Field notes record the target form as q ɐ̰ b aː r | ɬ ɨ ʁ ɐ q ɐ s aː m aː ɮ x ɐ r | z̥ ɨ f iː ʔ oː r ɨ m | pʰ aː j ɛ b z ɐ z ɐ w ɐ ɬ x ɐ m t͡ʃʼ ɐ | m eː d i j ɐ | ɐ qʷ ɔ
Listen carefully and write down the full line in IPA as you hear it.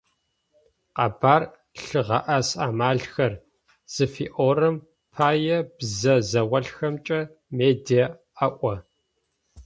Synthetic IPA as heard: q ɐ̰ b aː r | ɬ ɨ ʁ ɐ ʔ ɐ s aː m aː ɮ x ɐ r | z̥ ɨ f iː ʔ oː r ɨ m | pʰ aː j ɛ b z ɐ z ɐ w ɐ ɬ x ɐ m t͡ʃʼ ɐ | m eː d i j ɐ | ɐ ʔʷ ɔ